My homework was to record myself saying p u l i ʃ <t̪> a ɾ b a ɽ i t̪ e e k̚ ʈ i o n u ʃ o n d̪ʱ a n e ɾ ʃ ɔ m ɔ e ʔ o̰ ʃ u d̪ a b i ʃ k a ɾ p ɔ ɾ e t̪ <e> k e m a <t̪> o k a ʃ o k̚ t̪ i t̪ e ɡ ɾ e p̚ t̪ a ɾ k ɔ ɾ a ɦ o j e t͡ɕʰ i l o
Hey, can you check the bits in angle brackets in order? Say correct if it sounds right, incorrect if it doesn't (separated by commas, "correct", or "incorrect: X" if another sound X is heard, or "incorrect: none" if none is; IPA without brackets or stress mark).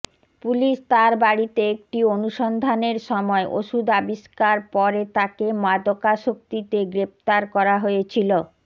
correct, incorrect: a, incorrect: d̪